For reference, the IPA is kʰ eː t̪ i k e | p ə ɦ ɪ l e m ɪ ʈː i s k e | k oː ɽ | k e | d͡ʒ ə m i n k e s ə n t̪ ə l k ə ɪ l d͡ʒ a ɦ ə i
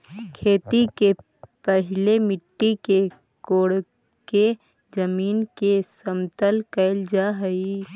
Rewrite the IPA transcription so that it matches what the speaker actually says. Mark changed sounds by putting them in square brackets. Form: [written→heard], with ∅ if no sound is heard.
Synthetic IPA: kʰ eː t̪ i k e | p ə ɦ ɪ l e m ɪ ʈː i [s→∅] k e | k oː ɽ | k e | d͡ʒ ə m [i→iː] n k e s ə [n→m] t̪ ə l k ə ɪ l d͡ʒ a ɦ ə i